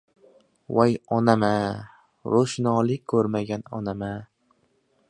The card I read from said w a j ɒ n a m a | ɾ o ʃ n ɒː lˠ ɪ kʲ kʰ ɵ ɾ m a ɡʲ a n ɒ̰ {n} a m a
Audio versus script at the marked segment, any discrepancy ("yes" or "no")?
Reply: no